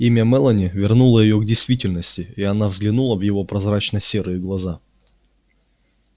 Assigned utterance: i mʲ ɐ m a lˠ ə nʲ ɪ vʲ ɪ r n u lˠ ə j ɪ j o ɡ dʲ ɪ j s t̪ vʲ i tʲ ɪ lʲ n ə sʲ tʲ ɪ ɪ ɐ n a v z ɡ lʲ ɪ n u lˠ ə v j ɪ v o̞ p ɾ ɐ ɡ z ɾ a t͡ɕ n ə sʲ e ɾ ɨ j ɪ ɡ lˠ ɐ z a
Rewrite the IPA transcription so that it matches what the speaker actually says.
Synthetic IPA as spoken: i mʲ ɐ m ɛ lˠ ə nʲ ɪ vʲ ɪ r n u lˠ ə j ɪ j o ɡ dʲ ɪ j s t̪ vʲ i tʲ ɪ lʲ n ə sʲ tʲ ɪ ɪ ɐ n a v z ɡ lʲ ɪ n u lˠ ə v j ɪ v o̞ p ɾ ɐ z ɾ a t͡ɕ n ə sʲ e ɾ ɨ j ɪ ɡ lˠ ɐ z a